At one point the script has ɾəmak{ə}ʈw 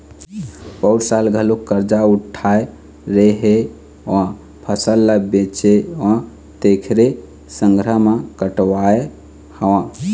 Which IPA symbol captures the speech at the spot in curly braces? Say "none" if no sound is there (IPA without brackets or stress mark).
ə